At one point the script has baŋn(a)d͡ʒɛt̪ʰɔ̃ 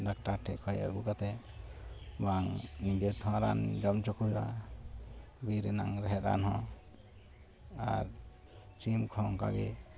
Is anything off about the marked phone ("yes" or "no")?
yes